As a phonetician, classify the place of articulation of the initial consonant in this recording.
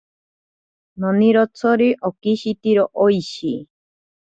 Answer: alveolar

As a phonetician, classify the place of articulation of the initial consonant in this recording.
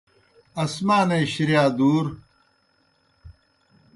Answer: alveolar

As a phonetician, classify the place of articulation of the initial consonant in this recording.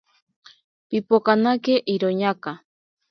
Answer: labial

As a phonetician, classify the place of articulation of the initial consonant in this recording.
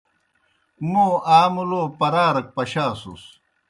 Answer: labial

